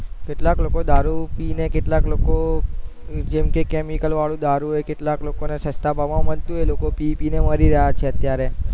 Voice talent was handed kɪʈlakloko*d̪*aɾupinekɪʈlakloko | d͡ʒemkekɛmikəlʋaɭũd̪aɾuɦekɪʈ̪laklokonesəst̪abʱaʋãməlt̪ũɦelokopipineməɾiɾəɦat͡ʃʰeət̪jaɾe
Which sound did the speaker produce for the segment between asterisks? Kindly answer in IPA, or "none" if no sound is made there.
d̪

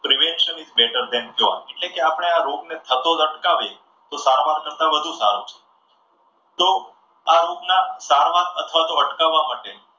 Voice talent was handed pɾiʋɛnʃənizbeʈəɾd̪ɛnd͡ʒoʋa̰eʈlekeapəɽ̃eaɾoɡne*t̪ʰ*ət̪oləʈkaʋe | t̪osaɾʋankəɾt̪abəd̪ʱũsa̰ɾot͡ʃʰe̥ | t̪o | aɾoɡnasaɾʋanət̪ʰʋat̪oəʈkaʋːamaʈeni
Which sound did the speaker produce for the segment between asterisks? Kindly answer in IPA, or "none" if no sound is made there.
t̪ʰ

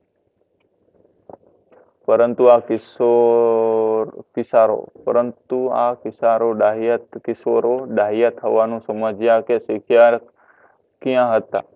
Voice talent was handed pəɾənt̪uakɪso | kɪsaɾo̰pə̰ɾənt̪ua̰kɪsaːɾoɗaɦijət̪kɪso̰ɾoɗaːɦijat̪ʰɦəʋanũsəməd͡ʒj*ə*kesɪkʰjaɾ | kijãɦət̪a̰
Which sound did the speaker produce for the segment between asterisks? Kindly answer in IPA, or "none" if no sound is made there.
a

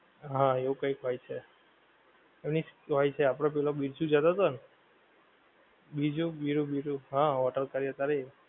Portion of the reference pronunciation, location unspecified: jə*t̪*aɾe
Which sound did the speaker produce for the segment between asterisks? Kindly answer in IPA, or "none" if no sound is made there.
t̪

